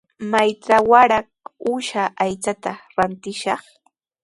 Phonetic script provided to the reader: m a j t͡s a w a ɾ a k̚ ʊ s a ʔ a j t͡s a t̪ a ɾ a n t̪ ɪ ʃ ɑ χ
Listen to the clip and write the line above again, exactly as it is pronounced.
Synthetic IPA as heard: m a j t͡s a w a ɾ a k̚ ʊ ʃ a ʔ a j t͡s a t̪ a ɾ a n t̪ ɪ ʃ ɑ χ